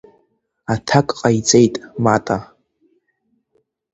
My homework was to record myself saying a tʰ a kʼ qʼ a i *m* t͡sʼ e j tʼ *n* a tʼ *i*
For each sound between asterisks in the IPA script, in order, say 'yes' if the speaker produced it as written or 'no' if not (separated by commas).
no, no, no